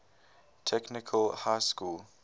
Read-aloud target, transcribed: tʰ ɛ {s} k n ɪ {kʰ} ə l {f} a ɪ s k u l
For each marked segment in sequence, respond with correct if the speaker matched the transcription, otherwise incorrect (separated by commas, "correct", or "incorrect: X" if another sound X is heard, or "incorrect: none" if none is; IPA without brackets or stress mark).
incorrect: none, correct, incorrect: h